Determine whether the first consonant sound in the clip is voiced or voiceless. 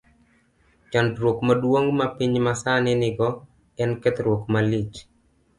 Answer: voiceless